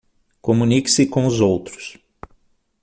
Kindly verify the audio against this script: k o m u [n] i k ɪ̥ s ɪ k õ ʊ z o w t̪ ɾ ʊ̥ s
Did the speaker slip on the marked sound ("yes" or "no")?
no